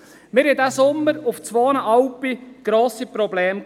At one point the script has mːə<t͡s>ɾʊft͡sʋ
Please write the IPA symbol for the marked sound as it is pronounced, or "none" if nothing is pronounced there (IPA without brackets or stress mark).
none